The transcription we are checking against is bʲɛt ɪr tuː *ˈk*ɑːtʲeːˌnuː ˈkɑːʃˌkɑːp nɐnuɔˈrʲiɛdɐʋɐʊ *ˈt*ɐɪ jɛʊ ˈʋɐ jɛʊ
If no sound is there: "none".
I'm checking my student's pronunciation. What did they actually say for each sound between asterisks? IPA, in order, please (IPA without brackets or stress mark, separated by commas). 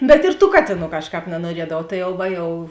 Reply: k, t